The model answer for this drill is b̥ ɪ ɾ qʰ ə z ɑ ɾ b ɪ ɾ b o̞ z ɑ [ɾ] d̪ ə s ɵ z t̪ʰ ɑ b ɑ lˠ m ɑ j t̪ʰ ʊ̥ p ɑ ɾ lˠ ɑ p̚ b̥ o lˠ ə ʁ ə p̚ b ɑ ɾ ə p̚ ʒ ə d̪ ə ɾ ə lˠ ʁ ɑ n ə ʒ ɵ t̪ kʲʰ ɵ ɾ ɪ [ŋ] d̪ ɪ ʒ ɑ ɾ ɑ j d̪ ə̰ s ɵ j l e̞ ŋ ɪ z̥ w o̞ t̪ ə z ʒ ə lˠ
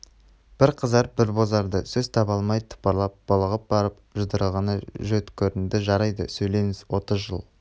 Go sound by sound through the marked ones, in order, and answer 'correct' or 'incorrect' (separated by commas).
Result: correct, incorrect